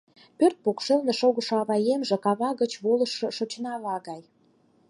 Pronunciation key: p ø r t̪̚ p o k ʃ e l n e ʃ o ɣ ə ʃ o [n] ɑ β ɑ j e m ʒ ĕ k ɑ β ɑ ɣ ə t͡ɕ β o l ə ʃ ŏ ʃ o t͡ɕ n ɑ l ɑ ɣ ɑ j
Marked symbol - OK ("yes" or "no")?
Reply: no